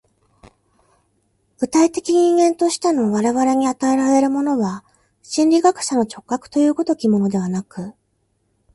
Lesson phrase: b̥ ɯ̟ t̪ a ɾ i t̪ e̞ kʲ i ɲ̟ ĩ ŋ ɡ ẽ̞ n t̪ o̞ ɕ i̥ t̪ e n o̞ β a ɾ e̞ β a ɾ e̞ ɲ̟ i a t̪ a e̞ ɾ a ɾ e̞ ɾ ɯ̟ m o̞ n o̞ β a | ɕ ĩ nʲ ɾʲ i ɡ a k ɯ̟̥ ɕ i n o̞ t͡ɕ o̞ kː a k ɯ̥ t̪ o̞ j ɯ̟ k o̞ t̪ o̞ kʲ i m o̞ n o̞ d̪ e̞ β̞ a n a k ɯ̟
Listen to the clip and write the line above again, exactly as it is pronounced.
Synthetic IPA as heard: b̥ ɯ̟ t̪ a i t̪ e̞ kʲ i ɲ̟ ĩ ŋ ɡ ẽ̞ n t̪ o̞ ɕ i̥ t̪ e n o̞ β a ɾ e̞ β a ɾ e̞ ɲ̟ i a t̪ a e̞ ɾ a ɾ e̞ ɾ ɯ̟ m o̞ n o̞ β a | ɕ ĩ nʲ ɾʲ i ɡ a k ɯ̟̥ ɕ a n o̞ t͡ɕ o̞ kː a k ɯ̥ t̪ o̞ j ɯ̟ː k o̞ t̪ o̞ kʲ i m o̞ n o̞ d̪ e̞ β̞ a n a k ɯ̟

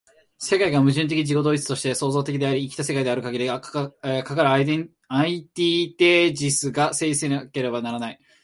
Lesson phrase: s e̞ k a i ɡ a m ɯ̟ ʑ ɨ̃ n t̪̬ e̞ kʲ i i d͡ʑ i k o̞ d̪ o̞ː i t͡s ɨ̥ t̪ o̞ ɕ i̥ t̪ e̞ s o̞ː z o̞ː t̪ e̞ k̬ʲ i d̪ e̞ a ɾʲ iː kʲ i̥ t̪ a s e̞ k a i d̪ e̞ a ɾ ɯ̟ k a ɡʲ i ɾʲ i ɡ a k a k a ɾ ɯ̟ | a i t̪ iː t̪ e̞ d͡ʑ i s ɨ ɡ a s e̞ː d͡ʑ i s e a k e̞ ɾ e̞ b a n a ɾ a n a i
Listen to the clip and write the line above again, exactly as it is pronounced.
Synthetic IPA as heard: s e̞ k a i ɡ a m ɯ̟ ʑ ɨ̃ n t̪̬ e̞ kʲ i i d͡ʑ i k o̞ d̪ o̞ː i t͡s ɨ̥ t̪ o̞ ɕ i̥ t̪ e̞ s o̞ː z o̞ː t̪ e̞ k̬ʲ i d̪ e̞ a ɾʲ iː kʲ i̥ t̪ a s e̞ k a i d̪ e̞ a ɾ ɯ̟ k a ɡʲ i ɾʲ i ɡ a k a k a ɾ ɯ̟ | a i t̪ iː t̪ e̞ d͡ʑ i s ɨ ɡ a s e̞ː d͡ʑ i s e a k e̞ ɾ e̞ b a n a ɾ a n a i

